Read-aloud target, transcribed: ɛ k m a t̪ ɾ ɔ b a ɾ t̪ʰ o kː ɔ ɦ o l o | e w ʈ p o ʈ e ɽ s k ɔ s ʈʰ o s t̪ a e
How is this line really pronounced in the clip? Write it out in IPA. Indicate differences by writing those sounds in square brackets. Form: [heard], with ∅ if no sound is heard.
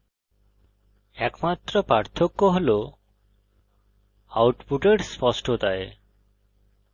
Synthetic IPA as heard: ɛ k m a t̪ ɾ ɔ [p] a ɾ t̪ʰ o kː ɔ ɦ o l o | [a] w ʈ p [u] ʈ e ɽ s [p] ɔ s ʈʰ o [∅] t̪ a e